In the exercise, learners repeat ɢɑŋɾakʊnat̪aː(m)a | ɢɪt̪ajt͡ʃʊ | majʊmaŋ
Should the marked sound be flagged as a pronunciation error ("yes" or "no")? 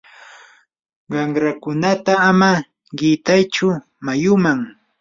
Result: no